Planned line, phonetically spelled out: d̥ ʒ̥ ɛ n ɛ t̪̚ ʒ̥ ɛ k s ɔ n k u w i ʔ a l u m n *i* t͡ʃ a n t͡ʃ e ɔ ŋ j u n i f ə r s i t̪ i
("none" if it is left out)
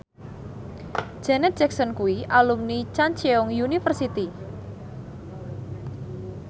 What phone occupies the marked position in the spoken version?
i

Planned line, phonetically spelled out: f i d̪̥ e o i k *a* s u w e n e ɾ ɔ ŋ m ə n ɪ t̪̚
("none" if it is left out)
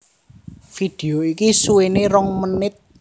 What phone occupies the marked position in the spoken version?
i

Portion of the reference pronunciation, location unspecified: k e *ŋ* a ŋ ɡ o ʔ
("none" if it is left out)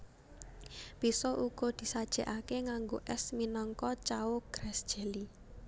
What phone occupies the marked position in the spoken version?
ŋ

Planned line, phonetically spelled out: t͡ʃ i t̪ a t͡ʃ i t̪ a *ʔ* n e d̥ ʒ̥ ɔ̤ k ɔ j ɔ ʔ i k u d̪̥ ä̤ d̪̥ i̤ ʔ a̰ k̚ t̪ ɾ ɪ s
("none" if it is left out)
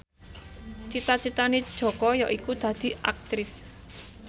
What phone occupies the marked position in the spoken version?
none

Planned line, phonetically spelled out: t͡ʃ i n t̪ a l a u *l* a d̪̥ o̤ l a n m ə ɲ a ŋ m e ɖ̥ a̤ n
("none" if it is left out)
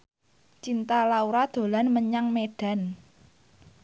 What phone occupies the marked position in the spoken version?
ɾ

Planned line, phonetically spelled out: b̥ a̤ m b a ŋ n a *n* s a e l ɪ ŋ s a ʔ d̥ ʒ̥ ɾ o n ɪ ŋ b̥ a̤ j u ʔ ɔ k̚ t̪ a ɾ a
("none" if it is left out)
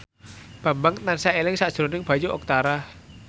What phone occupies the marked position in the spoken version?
n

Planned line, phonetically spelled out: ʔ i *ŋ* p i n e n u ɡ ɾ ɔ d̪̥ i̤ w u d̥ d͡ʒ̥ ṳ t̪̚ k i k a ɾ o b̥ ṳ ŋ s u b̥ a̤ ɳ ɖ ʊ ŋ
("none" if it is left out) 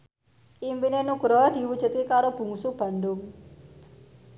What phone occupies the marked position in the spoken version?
m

